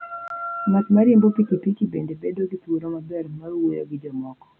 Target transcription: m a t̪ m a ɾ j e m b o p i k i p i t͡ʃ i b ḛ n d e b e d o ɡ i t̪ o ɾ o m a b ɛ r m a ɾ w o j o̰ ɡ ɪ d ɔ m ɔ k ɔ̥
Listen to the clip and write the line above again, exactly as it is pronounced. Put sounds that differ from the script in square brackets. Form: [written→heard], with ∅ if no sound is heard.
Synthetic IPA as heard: m a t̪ m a ɾ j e m b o p i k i p i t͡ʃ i b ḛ n d e b e d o ɡ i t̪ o ɾ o m a b ɛ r m a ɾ w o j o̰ ɡ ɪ [d→d͡ʒ] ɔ m ɔ k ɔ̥